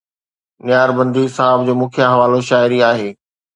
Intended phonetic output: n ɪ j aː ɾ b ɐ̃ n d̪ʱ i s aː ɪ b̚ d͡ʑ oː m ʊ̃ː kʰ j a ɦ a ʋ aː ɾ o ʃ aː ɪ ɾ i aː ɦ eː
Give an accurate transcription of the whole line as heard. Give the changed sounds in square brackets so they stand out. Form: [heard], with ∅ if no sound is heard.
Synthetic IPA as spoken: n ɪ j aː ɾ b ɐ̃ n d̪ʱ i s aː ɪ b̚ d͡ʑ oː m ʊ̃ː kʰ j a ɦ [ɐ] ʋ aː [l] o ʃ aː ɪ ɾ i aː ɦ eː